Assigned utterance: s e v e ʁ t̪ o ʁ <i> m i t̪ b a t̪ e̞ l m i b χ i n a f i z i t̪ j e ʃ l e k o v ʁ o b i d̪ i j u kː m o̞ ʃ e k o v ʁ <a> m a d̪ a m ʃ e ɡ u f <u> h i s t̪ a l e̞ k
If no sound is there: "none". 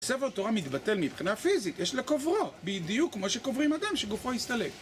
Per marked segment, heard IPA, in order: a, i, o

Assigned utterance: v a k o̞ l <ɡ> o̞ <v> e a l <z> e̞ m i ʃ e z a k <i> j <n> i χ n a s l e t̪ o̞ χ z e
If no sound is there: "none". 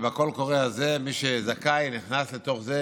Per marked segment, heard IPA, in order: k, ʁ, z, a, n

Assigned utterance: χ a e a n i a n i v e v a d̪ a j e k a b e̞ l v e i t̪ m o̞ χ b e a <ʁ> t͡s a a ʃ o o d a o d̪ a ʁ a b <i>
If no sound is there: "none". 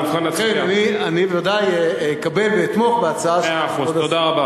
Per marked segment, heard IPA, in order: none, a

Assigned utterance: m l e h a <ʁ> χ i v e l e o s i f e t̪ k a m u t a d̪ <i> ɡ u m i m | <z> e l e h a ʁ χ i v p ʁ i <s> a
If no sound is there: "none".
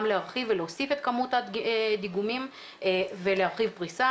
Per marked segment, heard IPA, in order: ʁ, i, v, s

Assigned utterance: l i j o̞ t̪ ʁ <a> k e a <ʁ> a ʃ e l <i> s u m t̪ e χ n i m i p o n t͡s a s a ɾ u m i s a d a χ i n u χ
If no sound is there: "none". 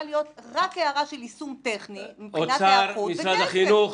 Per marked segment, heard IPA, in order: a, ʁ, i

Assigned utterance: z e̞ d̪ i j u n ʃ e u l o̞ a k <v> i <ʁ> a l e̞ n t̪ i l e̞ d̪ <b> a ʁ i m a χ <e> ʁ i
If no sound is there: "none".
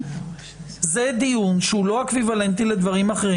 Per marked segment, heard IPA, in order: v, v, v, e

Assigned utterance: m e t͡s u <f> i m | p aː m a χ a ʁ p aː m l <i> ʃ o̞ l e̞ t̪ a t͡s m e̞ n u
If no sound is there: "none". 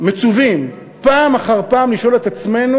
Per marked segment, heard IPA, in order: v, i

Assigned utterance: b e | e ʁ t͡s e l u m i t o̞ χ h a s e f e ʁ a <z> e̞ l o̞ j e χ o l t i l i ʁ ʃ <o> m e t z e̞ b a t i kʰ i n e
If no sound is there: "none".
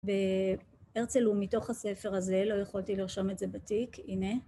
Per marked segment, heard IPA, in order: z, o

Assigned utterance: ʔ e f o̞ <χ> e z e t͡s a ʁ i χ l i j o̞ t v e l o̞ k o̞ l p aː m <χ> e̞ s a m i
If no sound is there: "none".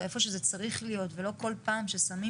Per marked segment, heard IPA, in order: ʃ, ʃ

